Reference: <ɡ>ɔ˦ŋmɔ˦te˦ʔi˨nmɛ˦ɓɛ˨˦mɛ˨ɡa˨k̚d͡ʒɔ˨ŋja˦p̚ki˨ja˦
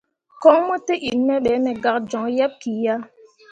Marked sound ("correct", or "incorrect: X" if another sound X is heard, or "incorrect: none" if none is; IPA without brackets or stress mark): incorrect: k